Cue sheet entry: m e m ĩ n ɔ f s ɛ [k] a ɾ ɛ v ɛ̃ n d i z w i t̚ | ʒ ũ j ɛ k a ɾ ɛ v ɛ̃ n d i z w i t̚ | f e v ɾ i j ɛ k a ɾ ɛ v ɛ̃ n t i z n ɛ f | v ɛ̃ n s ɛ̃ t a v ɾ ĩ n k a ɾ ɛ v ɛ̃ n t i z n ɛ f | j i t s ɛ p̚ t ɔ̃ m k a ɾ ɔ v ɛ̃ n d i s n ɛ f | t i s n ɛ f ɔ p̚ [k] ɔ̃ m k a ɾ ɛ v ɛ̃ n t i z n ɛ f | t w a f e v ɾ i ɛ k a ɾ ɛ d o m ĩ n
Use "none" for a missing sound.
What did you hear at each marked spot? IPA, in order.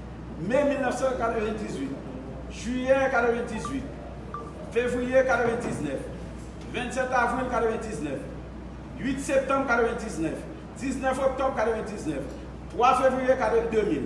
k, t

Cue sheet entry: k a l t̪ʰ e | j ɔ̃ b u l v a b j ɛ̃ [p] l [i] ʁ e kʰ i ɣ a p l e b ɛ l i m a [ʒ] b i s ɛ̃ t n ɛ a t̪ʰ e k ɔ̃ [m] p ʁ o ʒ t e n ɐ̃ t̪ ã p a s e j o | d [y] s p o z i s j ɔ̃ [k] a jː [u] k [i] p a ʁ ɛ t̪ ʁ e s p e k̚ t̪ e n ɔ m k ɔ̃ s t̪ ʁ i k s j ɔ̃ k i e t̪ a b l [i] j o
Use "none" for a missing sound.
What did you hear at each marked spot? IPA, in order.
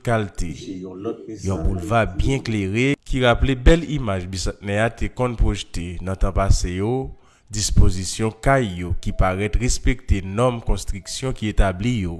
k, e, ʒ, n, i, k, o, i, i

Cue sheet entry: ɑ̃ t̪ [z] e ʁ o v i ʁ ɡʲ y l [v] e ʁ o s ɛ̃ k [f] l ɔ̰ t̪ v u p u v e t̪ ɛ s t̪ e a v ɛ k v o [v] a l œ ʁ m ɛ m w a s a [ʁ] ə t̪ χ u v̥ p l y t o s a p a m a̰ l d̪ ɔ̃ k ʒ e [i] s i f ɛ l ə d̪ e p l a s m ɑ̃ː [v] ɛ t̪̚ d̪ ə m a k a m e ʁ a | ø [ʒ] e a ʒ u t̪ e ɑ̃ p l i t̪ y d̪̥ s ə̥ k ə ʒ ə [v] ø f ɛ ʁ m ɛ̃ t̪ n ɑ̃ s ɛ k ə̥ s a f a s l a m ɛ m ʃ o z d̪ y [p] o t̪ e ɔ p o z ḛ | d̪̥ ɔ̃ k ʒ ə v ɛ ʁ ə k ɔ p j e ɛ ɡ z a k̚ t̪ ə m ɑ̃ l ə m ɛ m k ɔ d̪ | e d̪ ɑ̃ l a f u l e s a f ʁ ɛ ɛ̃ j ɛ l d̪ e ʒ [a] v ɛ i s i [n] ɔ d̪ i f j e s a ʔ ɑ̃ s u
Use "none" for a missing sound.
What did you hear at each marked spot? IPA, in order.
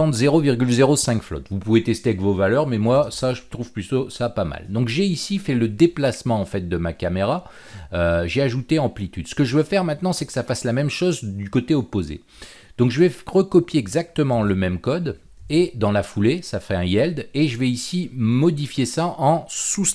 z, z, f, v, ʒ, i, f, ʒ, v, k, ə, m

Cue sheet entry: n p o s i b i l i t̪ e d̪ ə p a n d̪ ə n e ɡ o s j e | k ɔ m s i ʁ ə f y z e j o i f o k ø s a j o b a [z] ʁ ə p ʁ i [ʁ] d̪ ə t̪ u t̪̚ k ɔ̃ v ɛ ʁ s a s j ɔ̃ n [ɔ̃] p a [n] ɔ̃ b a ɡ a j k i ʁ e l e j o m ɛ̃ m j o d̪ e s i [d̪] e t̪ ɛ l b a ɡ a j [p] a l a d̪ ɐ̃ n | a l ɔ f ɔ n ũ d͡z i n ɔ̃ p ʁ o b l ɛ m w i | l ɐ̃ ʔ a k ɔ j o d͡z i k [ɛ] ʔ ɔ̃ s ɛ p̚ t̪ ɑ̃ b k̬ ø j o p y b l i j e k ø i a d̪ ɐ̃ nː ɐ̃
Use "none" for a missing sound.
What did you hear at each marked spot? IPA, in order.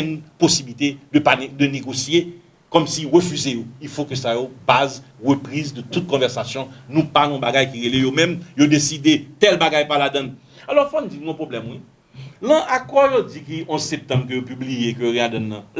z, z, ũ, n, d̪, p, i

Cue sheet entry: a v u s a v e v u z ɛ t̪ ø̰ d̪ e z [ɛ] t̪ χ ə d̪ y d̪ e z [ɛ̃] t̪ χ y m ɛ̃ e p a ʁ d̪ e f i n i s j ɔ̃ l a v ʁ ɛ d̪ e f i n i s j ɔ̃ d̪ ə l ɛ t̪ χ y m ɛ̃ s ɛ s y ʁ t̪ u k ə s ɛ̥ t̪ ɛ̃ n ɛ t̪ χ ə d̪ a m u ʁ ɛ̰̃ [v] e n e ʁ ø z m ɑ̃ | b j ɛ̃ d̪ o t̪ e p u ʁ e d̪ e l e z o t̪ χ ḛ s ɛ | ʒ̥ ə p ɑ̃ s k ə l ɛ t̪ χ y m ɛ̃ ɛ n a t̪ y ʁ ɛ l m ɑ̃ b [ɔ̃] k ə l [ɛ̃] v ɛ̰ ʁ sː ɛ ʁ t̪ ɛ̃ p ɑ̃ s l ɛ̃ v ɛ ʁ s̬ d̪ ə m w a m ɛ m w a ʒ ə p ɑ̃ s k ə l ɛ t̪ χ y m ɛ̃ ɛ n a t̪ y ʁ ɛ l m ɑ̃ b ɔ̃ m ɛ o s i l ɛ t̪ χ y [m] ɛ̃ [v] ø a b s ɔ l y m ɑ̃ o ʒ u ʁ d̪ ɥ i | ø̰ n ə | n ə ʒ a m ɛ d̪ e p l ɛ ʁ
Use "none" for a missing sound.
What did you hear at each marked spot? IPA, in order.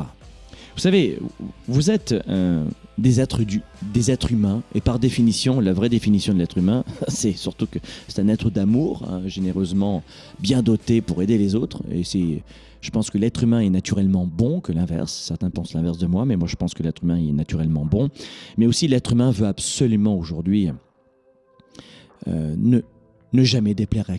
ɛ, ɛ, ʒ, ɔ̃, ɛ̃, m, v

